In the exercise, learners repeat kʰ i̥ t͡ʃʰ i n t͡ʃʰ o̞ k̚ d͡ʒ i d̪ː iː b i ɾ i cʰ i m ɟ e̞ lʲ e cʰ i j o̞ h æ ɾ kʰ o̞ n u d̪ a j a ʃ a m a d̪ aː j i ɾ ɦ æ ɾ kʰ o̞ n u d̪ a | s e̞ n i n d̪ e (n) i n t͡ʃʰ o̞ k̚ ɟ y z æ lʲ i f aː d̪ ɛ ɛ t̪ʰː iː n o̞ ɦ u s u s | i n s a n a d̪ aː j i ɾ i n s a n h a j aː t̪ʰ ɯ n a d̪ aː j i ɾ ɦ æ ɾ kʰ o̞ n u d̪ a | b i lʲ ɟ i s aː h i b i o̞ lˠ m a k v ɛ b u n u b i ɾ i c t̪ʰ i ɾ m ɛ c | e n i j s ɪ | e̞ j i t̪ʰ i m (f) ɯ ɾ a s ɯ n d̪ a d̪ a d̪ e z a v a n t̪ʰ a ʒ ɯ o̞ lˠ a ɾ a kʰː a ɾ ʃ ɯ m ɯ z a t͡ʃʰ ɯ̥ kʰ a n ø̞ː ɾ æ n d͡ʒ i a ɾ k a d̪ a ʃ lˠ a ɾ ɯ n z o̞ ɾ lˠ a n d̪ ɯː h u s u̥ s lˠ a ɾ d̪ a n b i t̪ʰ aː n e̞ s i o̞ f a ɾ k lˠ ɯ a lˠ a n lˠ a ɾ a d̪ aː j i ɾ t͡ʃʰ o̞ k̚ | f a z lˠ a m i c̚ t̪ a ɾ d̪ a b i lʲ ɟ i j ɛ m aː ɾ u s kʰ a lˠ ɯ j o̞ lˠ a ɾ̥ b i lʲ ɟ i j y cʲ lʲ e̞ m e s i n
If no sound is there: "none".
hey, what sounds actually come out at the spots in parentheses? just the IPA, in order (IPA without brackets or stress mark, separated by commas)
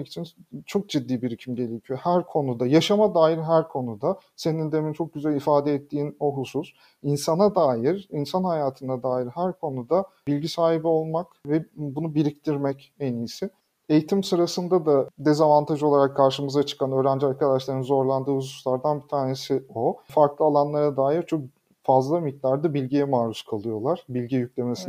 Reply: m, s